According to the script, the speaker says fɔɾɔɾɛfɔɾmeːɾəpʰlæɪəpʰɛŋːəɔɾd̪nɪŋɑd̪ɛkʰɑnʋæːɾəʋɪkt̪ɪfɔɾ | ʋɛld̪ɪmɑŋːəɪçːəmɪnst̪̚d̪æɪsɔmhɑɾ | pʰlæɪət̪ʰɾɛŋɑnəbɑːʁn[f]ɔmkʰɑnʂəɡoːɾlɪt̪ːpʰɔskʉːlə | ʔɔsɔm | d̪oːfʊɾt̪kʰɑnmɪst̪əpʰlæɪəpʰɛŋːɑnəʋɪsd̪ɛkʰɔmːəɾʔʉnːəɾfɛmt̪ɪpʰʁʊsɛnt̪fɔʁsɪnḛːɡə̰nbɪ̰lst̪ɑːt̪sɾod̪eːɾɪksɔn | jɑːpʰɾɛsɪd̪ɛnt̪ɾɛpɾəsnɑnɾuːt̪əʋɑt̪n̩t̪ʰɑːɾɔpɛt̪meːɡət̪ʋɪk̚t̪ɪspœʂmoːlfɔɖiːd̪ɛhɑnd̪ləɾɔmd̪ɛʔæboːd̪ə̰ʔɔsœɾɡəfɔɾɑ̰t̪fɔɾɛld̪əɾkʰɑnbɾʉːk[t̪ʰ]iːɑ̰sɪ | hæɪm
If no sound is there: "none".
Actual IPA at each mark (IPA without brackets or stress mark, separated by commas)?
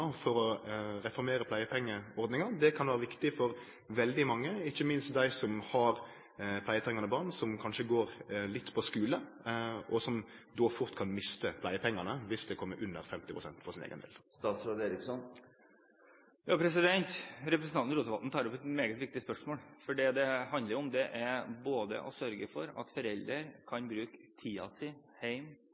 s, t̪ʰ